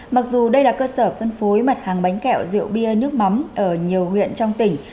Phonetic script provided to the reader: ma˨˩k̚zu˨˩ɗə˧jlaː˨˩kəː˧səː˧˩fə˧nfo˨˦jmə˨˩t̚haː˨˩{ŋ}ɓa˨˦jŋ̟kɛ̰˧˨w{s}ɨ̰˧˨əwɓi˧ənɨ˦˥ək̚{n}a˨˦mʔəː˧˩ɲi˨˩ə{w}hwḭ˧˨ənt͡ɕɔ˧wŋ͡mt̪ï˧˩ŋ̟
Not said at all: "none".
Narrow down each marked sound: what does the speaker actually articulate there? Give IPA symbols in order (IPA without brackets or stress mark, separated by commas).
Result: ŋ, z, m, w